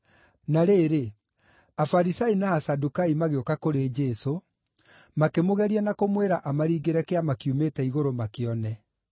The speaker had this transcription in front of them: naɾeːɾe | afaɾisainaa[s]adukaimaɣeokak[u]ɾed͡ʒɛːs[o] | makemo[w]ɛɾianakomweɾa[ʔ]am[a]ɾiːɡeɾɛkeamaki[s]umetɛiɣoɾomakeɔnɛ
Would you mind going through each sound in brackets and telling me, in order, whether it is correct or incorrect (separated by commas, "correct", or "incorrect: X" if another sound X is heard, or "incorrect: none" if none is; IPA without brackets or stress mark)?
correct, incorrect: o, correct, incorrect: ɣ, correct, correct, incorrect: none